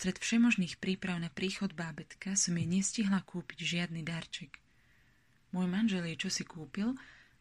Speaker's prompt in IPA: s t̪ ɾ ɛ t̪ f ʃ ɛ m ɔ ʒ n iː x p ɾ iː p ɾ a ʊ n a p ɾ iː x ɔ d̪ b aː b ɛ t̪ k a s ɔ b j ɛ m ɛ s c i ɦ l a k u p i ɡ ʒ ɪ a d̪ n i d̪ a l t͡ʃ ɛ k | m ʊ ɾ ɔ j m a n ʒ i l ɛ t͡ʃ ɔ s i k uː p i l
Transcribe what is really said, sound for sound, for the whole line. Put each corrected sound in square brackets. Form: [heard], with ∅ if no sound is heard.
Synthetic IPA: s t̪ ɾ ɛ t̪ f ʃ ɛ m ɔ ʒ n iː x p ɾ iː p ɾ a ʊ n a p ɾ iː x ɔ d̪ b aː b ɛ t̪ k a s ɔ [m] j ɛ [ɲ] ɛ s c i ɦ l a k [uː] p i [ɟ] ʒ ɪ a d̪ n i d̪ a [ɾ] t͡ʃ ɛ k | m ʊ [∅] ɔ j m a n ʒ [ɛ] l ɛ t͡ʃ ɔ s i k uː p i l